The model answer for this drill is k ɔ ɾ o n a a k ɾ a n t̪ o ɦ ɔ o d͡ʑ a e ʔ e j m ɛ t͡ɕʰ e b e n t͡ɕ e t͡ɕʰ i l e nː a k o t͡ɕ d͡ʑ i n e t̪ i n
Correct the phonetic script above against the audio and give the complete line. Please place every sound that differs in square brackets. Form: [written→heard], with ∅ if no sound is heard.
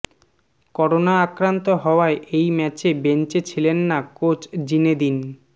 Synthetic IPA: k ɔ ɾ o n a a k ɾ a n t̪ o ɦ ɔ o [d͡ʑ→∅] a e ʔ e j m ɛ [t͡ɕʰ→t͡ɕ] e b e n t͡ɕ e t͡ɕʰ i l e nː a k o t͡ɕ d͡ʑ i n e [t̪→d̪] i n

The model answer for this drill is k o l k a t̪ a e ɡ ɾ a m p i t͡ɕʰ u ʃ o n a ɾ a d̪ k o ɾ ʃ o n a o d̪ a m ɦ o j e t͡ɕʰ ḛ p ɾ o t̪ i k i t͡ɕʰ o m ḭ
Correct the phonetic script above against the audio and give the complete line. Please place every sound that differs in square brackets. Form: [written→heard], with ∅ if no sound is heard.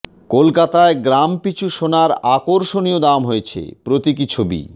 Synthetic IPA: k o l k a t̪ a e ɡ ɾ a m p i t͡ɕʰ u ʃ o n a ɾ a [d̪→∅] k o ɾ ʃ o n [a→i] o d̪ a m ɦ o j e t͡ɕʰ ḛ p ɾ o t̪ i k i t͡ɕʰ o [m→b] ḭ

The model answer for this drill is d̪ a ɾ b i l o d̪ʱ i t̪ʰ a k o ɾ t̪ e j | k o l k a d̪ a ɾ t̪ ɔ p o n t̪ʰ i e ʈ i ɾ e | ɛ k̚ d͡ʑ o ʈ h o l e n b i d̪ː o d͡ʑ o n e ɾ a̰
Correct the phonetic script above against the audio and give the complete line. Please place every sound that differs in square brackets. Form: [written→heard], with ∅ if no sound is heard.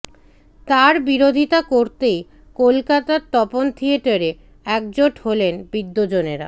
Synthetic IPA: [d̪→t̪] a ɾ b i [l→ɾ] o d̪ʱ i [t̪ʰ→t̪] a k o ɾ t̪ e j | k o l k a [d̪→t̪] a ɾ t̪ ɔ p o n t̪ʰ i e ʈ [i→a] ɾ e | ɛ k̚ d͡ʑ o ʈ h o l e n b i d̪ː o d͡ʑ o n e ɾ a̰

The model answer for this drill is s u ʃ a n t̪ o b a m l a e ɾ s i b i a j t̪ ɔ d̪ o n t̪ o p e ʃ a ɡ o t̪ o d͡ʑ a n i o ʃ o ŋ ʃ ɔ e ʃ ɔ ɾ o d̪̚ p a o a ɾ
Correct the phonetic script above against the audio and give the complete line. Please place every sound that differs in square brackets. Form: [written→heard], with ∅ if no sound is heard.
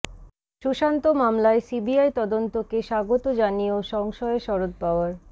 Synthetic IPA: [s→ʃ] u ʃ a n t̪ o [b→m] a m l a e [ɾ→∅] s i b i a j t̪ ɔ d̪ o n t̪ o [p→k] e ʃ a ɡ o t̪ o d͡ʑ a n i o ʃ [o→ɔ] ŋ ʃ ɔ e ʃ ɔ ɾ o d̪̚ p a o a ɾ

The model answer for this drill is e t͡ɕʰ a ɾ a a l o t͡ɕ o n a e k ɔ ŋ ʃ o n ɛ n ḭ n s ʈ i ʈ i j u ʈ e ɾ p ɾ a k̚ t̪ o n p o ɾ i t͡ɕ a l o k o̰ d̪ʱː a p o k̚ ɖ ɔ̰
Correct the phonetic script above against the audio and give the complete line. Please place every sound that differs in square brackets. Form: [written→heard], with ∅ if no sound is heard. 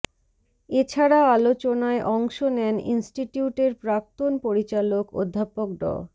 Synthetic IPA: e t͡ɕʰ a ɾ a a l o t͡ɕ o n a e [k→ʔ] ɔ ŋ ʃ o n ɛ n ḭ n s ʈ i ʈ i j u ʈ e ɾ p ɾ a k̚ t̪ o n p o ɾ i t͡ɕ a l o k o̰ d̪ʱː a p o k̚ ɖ ɔ̰

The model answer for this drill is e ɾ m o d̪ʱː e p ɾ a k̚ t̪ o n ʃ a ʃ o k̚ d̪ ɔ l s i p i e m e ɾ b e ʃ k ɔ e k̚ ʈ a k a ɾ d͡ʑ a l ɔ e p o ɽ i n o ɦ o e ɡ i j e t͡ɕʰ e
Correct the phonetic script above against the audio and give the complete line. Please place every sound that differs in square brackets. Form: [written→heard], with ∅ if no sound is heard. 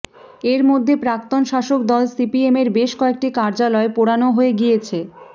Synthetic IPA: e ɾ m o d̪ʱː e p ɾ a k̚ t̪ o n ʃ a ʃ o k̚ d̪ ɔ l s i p i e m e ɾ b e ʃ k ɔ e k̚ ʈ [a→i] k a ɾ d͡ʑ a l ɔ e p o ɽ [i→a] n o ɦ o e ɡ i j e t͡ɕʰ e

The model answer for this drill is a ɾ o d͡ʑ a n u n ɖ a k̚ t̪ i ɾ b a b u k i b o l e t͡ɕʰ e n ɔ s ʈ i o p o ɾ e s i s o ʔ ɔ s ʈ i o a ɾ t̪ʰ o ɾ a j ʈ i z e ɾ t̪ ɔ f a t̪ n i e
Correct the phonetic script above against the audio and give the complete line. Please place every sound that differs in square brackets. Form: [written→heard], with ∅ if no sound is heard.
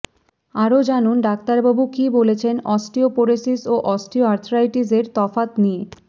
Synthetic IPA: a ɾ o d͡ʑ a n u n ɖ a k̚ t̪ [i→a] ɾ b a b u k i b o l e t͡ɕʰ e n ɔ s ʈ i o p o ɾ e s i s o ʔ ɔ s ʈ i o a ɾ t̪ʰ o ɾ a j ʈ i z e ɾ t̪ ɔ f a t̪ n i e

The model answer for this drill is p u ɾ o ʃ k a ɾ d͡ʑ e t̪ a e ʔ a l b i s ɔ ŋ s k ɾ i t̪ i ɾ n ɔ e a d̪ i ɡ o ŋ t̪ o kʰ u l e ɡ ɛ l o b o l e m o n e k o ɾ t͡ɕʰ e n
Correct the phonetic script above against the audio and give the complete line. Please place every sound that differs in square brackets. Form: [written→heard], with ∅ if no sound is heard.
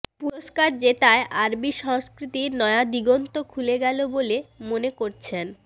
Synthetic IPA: p u ɾ o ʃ k a ɾ d͡ʑ e t̪ a e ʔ a [l→ɾ] b i [s→ʃ] ɔ ŋ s k ɾ i t̪ i ɾ n ɔ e a d̪ i ɡ o [ŋ→n] t̪ o kʰ u l e ɡ ɛ l o b o l e m o n e k o ɾ t͡ɕʰ e n

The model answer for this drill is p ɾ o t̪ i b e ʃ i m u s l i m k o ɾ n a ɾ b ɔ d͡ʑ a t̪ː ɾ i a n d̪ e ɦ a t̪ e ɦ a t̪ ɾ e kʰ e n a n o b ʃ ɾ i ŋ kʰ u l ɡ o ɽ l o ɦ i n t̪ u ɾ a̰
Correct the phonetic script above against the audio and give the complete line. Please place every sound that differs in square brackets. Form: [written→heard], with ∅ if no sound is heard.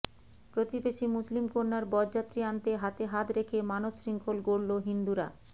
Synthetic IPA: p ɾ o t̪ i b e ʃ i m u s l i m k o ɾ n a ɾ b ɔ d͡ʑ a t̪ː ɾ i a n [d̪→t̪] e ɦ a t̪ e ɦ a t̪ ɾ e kʰ e [n→m] a n o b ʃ ɾ i ŋ kʰ [u→o] l ɡ o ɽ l o ɦ i n [t̪→d̪] u ɾ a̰

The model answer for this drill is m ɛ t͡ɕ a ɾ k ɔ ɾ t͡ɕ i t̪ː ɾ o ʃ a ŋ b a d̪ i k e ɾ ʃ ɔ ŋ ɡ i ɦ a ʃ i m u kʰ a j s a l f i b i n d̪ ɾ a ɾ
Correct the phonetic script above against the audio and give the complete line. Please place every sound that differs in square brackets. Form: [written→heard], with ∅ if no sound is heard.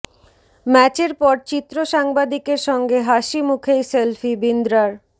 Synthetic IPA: m ɛ t͡ɕ [a→e] ɾ [k→p] ɔ ɾ t͡ɕ i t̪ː ɾ o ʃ a ŋ b a d̪ i k e ɾ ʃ ɔ ŋ ɡ [i→e] ɦ a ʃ i m u kʰ [a→e] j s [a→e] l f i b i n d̪ ɾ a ɾ

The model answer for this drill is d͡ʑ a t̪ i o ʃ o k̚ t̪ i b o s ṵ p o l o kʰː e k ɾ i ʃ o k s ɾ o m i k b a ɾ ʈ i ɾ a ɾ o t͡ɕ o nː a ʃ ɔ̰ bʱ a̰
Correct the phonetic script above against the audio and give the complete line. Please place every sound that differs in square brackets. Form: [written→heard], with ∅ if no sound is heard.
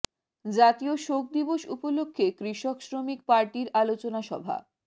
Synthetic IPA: d͡ʑ a t̪ i o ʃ o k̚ [t̪→d̪] i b o [s→ʃ] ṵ p o l o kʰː e k ɾ i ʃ o k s ɾ o m i k [b→p] a ɾ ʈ i ɾ a [ɾ→l] o t͡ɕ o [nː→n] a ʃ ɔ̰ bʱ a̰

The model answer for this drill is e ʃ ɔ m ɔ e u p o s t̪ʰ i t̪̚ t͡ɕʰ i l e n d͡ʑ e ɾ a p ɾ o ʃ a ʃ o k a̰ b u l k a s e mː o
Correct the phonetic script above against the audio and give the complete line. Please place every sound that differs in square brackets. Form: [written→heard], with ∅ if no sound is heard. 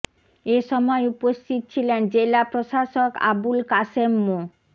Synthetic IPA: e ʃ ɔ m ɔ e u p o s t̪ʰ i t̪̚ t͡ɕʰ i l e n d͡ʑ e [ɾ→l] a p ɾ o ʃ a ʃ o k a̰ b u l k a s e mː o

